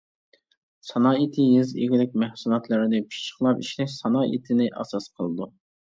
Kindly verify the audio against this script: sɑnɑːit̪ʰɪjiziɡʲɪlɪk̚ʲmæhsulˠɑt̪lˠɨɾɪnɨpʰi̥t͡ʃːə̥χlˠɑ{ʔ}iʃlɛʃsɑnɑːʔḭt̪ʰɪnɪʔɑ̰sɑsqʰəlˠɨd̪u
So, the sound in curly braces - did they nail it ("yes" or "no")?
no